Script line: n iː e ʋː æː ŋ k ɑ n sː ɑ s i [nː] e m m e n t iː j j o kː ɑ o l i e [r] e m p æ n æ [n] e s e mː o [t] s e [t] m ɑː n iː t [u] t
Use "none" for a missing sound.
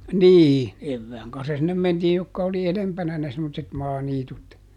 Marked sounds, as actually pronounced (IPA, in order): nː, l, n, t, t, u

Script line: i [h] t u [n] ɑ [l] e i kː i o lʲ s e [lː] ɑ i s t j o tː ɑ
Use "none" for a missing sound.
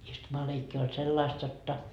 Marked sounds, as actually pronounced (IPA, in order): s, m, l, lː

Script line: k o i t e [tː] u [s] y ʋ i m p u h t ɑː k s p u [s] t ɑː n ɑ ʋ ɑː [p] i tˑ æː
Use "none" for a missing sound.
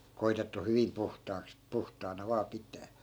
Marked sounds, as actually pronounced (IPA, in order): tː, h, h, p

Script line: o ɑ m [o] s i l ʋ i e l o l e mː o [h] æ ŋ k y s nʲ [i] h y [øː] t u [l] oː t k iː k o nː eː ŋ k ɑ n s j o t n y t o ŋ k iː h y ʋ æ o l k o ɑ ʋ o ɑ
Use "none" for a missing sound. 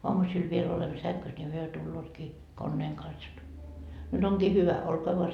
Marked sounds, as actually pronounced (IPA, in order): u, s, i, ø, lː

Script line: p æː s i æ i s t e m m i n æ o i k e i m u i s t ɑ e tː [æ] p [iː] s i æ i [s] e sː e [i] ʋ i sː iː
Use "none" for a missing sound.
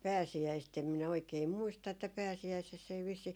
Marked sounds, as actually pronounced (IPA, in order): æ, æː, s, i

